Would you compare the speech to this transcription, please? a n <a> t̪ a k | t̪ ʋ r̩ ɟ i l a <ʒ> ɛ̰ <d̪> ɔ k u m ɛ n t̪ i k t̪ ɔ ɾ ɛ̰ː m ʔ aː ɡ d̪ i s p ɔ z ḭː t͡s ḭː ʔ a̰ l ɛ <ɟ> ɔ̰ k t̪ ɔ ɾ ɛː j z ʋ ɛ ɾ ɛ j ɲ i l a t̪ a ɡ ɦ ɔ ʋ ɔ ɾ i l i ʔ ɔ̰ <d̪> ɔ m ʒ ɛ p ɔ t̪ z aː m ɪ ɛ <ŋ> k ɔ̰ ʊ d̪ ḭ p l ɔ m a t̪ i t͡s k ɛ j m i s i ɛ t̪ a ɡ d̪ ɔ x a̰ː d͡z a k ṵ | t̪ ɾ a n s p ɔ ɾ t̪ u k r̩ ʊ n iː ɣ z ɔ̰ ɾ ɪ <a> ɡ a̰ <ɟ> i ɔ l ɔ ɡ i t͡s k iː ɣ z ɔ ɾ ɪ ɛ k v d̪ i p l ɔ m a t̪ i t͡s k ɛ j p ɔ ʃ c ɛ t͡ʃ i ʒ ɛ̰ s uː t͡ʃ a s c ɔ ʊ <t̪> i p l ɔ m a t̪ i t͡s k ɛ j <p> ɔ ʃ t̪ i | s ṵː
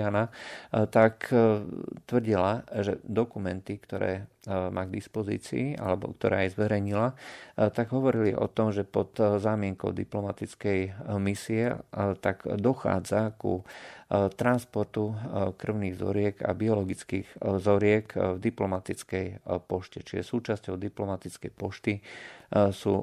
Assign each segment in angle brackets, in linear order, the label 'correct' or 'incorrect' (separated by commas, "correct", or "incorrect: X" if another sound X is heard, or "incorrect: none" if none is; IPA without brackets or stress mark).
correct, correct, correct, incorrect: b, incorrect: t̪, correct, incorrect: ɛ, incorrect: b, incorrect: d̪, correct